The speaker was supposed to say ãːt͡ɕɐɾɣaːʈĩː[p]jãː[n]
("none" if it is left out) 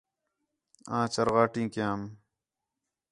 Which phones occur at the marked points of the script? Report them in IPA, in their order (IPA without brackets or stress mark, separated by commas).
k, m